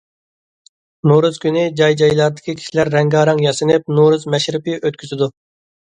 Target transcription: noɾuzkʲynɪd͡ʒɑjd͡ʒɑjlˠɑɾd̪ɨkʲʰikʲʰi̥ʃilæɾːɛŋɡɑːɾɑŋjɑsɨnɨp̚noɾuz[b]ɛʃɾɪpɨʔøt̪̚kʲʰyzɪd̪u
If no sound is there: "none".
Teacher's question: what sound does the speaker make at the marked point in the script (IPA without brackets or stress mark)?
m